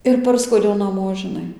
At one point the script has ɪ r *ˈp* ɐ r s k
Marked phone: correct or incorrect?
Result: correct